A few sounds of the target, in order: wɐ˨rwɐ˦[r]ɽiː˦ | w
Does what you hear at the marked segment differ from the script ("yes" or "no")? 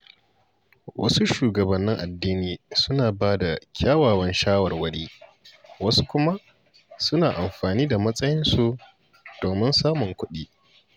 yes